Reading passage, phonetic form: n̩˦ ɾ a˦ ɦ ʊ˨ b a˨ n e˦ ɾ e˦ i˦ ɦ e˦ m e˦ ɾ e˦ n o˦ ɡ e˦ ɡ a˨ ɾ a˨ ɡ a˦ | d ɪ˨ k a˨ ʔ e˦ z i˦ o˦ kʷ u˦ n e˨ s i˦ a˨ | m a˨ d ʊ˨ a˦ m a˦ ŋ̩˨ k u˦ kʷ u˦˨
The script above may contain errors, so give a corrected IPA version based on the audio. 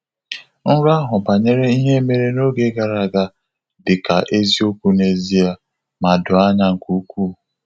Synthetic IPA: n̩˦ ɾ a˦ ɦ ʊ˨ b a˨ ɲ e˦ ɾ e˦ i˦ ɦ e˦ m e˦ ɾ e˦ n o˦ ɡ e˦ ɡ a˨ ɾ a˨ ɡ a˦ | d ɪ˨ k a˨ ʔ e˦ z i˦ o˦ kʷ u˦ n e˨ z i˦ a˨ | m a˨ d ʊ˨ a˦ ɲ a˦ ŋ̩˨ k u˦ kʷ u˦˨